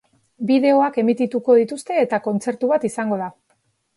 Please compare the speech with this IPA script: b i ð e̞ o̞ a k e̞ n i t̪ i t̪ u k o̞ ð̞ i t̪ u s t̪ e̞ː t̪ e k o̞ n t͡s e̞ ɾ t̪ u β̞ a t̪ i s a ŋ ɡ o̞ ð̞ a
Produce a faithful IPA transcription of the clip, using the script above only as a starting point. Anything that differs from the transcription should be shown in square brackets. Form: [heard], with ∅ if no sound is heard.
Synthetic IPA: b i ð e̞ o̞ a k e̞ [m] i t̪ i t̪ u k o̞ ð̞ i t̪ u s t̪ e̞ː t̪ [a] k o̞ n t͡s e̞ ɾ t̪ u β̞ a t̪ i s a ŋ ɡ o̞ ð̞ a